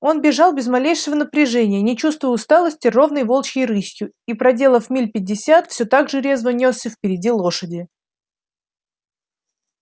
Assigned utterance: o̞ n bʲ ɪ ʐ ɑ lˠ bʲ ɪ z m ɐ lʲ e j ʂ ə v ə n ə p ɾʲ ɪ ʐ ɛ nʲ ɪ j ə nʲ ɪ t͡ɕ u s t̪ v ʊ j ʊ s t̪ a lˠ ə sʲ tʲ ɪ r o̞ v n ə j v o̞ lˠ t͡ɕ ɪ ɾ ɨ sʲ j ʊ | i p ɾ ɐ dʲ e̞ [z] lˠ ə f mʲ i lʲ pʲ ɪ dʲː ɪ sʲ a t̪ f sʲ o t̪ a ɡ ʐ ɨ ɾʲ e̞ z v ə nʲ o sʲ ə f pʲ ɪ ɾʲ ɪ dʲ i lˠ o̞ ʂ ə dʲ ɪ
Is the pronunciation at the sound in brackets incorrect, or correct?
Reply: incorrect